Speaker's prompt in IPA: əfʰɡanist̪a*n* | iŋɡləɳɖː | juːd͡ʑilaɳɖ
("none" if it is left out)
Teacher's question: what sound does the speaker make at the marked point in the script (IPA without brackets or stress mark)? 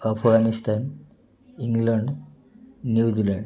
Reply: n